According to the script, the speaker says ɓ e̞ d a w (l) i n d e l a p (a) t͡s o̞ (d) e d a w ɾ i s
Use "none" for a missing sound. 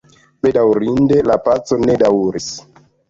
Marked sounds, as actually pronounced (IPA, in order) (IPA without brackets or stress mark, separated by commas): ɾ, a, n